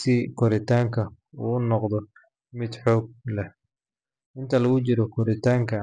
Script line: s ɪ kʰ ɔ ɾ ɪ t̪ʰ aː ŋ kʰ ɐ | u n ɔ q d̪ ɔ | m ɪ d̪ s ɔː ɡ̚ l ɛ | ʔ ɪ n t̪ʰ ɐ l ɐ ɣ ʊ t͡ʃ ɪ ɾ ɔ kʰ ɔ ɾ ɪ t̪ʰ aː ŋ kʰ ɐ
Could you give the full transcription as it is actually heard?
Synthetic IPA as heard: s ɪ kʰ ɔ ɾ ɪ t̪ʰ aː ŋ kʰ ɐ | u n ɔ q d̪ ɔ | m ɪ d̪ ħ ɔː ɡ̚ l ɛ | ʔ ɪ n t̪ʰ ɐ l ɐ ɣ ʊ t͡ʃ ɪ ɾ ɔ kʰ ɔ ɾ ɪ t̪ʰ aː ŋ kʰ ɐ